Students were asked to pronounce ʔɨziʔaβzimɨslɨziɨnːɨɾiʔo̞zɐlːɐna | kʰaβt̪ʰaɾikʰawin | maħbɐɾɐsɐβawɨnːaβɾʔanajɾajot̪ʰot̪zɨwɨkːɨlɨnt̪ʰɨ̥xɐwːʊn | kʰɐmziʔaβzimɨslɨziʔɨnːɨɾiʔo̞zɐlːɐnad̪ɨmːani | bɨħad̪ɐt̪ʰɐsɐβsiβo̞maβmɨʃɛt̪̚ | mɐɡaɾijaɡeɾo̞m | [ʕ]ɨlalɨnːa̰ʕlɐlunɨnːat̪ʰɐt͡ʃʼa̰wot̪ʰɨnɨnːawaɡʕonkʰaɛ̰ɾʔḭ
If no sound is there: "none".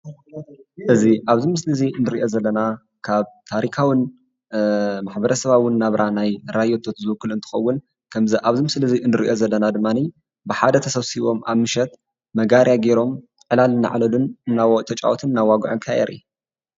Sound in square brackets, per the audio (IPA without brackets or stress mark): ʕ